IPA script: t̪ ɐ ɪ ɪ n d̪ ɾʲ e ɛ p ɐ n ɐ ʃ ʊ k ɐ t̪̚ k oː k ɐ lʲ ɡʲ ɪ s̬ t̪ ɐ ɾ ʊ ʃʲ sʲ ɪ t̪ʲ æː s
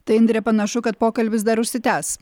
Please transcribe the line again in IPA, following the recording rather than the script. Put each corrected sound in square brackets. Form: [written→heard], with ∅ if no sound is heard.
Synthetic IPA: t̪ ɐ ɪ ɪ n d̪ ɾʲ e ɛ p ɐ n ɐ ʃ ʊ k ɐ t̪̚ [k→p] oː k ɐ lʲ [ɡʲ→bʲ] ɪ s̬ [t̪→d̪] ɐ ɾ ʊ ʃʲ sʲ ɪ t̪ʲ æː s

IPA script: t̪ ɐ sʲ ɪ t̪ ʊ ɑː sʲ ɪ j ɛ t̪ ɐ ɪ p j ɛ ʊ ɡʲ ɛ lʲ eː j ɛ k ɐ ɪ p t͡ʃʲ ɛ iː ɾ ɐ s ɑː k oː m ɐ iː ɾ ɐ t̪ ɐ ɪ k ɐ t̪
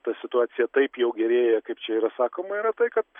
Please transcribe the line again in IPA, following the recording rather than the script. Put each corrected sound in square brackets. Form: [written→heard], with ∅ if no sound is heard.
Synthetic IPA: t̪ ɐ sʲ ɪ t̪ ʊ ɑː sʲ ɪ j ɛ t̪ ɐ ɪ p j ɛ ʊ ɡʲ ɛ [lʲ→ɾʲ] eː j ɛ k ɐ ɪ p t͡ʃʲ ɛ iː ɾ ɐ s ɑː k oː m ɐ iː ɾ ɐ t̪ ɐ ɪ k ɐ t̪

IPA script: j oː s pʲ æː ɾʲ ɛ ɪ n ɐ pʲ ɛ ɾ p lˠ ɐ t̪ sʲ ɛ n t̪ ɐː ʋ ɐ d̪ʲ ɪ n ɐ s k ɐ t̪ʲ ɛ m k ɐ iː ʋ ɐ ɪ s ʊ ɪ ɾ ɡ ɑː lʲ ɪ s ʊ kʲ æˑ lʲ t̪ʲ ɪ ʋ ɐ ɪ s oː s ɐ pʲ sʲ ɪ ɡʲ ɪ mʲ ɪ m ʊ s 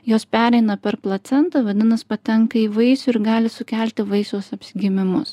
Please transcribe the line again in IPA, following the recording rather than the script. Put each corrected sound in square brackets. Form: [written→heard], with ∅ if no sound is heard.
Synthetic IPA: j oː s pʲ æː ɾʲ ɛ ɪ n ɐ pʲ ɛ ɾ p lˠ ɐ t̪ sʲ ɛ n t̪ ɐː ʋ ɐ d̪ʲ ɪ n ɐ s [k→p] ɐ t̪ʲ ɛ [m→ŋ] k ɐ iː ʋ ɐ ɪ s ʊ ɪ ɾ ɡ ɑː lʲ ɪ s ʊ kʲ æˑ lʲ t̪ʲ ɪ ʋ ɐ ɪ s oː s ɐ pʲ sʲ ɪ ɡʲ ɪ mʲ ɪ m ʊ s

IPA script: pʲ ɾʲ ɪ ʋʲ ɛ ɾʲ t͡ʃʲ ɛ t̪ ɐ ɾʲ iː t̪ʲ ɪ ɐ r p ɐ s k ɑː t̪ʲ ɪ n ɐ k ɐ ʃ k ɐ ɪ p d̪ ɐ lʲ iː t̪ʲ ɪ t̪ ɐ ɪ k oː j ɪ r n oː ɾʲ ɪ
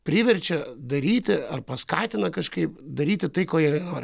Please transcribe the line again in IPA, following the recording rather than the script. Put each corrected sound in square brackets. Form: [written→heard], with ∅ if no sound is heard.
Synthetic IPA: pʲ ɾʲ ɪ ʋʲ ɛ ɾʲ t͡ʃʲ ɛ [t̪→d̪] ɐ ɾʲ iː t̪ʲ ɪ ɐ r p ɐ s k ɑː t̪ʲ ɪ n ɐ k ɐ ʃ k ɐ ɪ p d̪ ɐ [lʲ→ɾʲ] iː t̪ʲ ɪ t̪ ɐ ɪ k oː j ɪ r n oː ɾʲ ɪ

